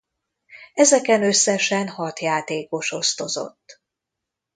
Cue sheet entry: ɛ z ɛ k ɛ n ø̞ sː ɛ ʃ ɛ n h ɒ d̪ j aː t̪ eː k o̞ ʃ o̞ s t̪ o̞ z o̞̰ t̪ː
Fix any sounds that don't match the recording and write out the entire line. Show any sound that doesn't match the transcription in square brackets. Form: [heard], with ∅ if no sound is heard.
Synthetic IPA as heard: ɛ z ɛ k ɛ n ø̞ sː ɛ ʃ ɛ n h ɒ [t̪] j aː t̪ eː k o̞ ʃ o̞ s t̪ o̞ z o̞̰ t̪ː

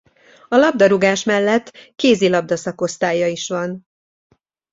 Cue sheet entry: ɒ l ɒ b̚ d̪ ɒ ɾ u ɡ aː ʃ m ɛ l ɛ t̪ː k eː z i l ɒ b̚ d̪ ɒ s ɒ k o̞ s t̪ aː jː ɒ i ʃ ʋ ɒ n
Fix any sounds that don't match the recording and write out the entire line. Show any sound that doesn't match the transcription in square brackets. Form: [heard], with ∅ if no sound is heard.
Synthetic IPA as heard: ɒ l ɒ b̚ d̪ ɒ ɾ u ɡ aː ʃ m ɛ [lː] ɛ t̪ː k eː z i l ɒ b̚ d̪ ɒ s ɒ k o̞ s t̪ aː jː ɒ i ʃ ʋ ɒ n

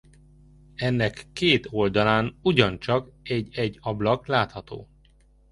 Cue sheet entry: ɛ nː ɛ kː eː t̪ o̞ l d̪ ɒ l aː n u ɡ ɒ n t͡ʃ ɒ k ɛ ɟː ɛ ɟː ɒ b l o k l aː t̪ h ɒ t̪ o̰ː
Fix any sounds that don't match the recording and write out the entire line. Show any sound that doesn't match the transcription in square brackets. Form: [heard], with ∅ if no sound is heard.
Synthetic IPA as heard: ɛ nː ɛ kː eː t̪ o̞ l d̪ ɒ l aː n u [ɟ] ɒ n t͡ʃ ɒ k ɛ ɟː ɛ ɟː ɒ b l [ɒ] k l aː t̪ h ɒ t̪ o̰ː

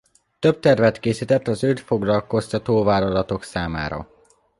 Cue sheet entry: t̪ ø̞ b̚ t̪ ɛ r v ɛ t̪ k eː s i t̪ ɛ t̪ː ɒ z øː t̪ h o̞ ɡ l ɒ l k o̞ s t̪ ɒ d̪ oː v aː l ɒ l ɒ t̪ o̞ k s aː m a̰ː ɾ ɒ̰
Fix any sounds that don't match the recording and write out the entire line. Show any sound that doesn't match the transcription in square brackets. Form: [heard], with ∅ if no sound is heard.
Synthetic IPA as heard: t̪ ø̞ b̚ t̪ ɛ r v ɛ t̪ k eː s i t̪ ɛ t̪ː ɒ z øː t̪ [f] o̞ ɡ l ɒ l k o̞ s t̪ ɒ [t̪] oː v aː l ɒ l ɒ t̪ o̞ k s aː m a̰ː ɾ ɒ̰

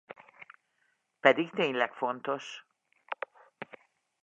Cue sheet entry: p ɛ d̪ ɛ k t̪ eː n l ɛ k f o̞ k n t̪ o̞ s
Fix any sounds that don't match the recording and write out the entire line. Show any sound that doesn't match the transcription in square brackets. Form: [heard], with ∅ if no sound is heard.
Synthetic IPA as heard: p ɛ d̪ [i] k t̪ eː [ɲ] l ɛ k f o̞ [∅] n t̪ o̞ [ʃ]

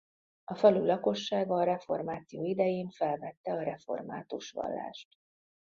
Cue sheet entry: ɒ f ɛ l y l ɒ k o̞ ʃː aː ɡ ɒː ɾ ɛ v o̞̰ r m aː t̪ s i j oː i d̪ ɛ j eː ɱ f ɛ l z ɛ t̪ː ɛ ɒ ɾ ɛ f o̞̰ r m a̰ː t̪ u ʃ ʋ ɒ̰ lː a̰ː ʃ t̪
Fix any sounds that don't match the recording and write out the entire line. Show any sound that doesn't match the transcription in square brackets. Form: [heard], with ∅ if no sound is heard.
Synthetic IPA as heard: ɒ f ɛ l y l ɒ k o̞ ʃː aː ɡ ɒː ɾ ɛ [f] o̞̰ r m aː t̪ s i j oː i d̪ ɛ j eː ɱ f ɛ l [v] ɛ t̪ː ɛ ɒ ɾ ɛ f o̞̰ r m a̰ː t̪ u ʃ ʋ ɒ̰ lː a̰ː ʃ t̪

